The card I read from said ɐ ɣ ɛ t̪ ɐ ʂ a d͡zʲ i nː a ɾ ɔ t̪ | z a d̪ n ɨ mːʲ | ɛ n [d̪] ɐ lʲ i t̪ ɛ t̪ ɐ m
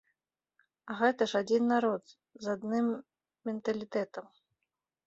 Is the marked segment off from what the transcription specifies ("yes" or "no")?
yes